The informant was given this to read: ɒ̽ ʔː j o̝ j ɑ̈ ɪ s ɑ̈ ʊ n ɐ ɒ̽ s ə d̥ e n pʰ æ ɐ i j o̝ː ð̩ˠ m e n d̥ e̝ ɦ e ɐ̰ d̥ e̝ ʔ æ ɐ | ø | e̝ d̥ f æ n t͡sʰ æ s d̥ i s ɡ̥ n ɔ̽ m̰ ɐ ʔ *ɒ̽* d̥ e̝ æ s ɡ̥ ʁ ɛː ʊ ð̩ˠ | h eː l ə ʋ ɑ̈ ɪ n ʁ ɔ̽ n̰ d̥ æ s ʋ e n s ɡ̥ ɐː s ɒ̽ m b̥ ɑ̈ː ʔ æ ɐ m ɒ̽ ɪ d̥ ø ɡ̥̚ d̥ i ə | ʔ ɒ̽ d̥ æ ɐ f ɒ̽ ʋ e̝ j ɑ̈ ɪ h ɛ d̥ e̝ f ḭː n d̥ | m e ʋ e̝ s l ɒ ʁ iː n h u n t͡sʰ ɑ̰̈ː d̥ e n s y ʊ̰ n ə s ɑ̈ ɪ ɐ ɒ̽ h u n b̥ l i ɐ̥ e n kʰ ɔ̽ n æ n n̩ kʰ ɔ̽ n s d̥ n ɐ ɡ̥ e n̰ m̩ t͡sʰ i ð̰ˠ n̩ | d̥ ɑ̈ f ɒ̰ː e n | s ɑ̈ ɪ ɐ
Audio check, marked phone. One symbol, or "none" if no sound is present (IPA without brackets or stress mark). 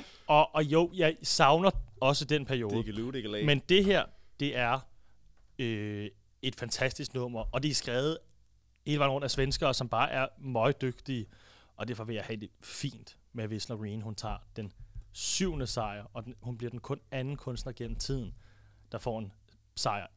ɒ̽